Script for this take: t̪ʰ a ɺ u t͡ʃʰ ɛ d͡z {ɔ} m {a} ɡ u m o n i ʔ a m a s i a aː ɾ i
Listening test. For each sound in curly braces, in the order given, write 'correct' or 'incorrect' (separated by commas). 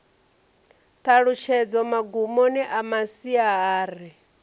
correct, correct